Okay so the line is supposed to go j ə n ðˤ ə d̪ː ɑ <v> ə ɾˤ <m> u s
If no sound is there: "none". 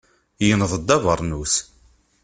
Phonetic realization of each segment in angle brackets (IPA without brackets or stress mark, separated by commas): v, n